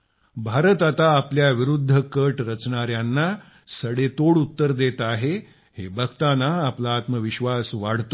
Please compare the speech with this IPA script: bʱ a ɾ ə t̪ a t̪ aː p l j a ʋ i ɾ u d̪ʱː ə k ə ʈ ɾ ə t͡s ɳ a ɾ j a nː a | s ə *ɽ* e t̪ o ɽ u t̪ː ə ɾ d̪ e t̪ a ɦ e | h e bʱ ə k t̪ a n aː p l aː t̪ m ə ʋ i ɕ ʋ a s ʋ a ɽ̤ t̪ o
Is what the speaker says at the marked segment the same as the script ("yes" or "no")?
yes